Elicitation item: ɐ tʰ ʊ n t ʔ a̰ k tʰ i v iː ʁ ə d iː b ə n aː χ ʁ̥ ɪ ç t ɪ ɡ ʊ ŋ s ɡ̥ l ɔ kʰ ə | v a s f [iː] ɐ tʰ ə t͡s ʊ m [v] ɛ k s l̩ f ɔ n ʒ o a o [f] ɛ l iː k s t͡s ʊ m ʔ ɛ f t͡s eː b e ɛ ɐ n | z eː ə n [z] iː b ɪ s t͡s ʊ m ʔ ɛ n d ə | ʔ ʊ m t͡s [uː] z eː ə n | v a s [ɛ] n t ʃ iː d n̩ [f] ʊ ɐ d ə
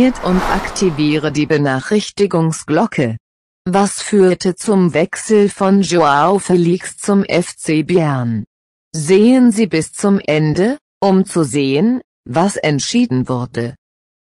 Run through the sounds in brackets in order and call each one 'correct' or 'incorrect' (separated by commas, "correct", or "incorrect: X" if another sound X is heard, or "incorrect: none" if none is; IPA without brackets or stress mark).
incorrect: yː, correct, correct, correct, incorrect: u, correct, incorrect: v